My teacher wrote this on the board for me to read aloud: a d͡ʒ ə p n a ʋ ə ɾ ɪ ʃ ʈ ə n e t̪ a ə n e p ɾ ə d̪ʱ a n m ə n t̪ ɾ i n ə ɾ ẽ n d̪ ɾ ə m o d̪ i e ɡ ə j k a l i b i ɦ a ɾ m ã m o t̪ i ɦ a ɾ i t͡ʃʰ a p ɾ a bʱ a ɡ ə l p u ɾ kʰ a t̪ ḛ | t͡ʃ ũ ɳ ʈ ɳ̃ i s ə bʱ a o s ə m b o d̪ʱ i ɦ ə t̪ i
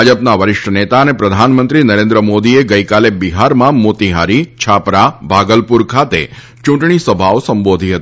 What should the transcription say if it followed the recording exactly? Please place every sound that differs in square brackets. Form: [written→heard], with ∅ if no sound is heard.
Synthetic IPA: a d͡ʒ ə p n a ʋ ə ɾ ɪ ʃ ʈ ə n e t̪ a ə n e p ɾ ə d̪ʱ a n m ə n t̪ ɾ i n ə ɾ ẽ n d̪ ɾ ə m o d̪ i e ɡ ə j k a l [i→e] b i ɦ a ɾ m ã m o t̪ i ɦ a ɾ i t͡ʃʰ a p ɾ a bʱ a ɡ ə l p u ɾ kʰ a t̪ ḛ | t͡ʃ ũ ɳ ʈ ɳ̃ i s ə bʱ a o s ə m b o d̪ʱ i ɦ ə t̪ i